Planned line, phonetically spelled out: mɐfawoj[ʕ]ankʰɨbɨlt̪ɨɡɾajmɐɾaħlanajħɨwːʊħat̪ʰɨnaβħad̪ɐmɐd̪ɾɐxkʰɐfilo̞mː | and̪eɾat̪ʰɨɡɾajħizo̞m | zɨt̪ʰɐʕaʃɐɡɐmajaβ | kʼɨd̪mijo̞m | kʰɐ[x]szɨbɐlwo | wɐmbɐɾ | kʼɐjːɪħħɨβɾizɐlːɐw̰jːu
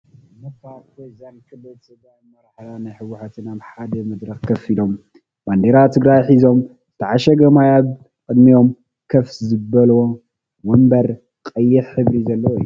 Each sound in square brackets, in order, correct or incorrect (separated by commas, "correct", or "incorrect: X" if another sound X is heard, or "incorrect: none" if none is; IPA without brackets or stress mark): incorrect: z, incorrect: f